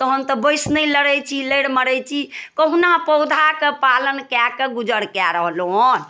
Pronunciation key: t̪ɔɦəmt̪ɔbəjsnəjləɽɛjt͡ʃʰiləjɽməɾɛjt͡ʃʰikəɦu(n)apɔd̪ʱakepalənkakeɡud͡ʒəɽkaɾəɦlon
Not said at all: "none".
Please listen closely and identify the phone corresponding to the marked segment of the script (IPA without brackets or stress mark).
n